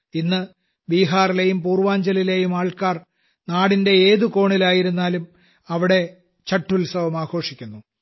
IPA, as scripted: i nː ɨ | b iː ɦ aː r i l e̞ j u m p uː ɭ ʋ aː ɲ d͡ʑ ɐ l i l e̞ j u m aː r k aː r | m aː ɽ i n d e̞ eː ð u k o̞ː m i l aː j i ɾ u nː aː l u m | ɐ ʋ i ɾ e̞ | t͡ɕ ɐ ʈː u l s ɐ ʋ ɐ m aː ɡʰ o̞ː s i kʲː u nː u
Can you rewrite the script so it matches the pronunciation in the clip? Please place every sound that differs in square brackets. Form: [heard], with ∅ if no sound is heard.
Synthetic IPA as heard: i nː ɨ | b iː ɦ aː r i l e̞ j u m p uː [r] ʋ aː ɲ d͡ʑ ɐ l i l e̞ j u m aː [ɭ] k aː r | [n] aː ɽ i n d e̞ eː ð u k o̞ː [ɳ] i l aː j i ɾ u nː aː l u m | ɐ ʋ i [ɽ] e̞ | t͡ɕ ɐ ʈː u l s ɐ ʋ ɐ m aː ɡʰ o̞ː [ʂ] i kʲː u nː u